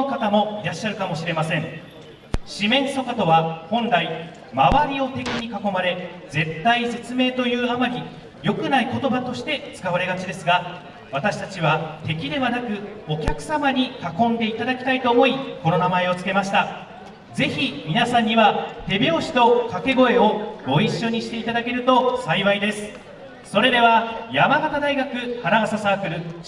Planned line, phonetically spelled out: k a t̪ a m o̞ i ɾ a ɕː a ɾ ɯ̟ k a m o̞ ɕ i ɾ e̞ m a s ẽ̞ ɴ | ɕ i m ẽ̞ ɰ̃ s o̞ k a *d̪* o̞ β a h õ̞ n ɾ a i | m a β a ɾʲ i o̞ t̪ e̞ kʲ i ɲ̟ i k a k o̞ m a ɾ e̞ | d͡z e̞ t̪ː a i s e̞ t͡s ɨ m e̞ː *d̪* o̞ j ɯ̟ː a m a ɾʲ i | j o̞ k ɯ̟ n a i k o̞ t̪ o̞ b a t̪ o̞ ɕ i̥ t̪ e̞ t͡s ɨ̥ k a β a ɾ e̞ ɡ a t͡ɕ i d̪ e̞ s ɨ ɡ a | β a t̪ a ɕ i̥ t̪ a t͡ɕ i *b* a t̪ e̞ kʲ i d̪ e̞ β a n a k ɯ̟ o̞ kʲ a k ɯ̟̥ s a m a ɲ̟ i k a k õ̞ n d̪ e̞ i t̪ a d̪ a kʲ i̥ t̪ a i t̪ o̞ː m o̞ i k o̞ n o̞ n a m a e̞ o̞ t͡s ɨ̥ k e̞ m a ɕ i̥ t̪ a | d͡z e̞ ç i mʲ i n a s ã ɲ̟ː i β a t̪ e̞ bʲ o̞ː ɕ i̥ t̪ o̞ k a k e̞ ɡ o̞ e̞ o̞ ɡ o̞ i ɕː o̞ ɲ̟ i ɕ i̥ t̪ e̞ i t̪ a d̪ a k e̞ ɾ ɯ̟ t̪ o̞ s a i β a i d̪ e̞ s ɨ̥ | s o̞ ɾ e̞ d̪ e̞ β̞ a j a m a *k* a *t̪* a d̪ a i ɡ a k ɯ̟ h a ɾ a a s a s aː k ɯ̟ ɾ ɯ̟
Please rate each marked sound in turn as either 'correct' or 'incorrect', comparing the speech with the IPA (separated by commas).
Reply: incorrect, incorrect, incorrect, incorrect, correct